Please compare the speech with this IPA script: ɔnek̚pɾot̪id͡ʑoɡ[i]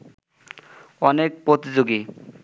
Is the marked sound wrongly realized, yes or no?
no